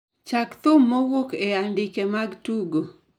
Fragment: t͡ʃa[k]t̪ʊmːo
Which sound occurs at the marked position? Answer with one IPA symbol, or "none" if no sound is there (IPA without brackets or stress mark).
k